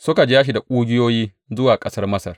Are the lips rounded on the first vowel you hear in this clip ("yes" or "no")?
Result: yes